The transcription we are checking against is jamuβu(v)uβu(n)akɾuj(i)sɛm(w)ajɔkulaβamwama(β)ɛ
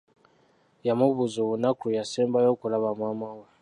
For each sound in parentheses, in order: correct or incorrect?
incorrect: z, correct, incorrect: a, incorrect: b, incorrect: w

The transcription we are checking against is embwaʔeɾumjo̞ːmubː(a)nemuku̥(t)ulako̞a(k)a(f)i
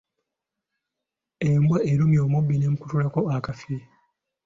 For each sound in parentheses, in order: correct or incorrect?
incorrect: i, correct, correct, correct

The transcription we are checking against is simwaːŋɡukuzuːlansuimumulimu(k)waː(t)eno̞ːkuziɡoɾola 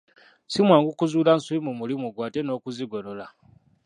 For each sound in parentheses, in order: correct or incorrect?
incorrect: ɡ, correct

